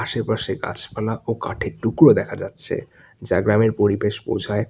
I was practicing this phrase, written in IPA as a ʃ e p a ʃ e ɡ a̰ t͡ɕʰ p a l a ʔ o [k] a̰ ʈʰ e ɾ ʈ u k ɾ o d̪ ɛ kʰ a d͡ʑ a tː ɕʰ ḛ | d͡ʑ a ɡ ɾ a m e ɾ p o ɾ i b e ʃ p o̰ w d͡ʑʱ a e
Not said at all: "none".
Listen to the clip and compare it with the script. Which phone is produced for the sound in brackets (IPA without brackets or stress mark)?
k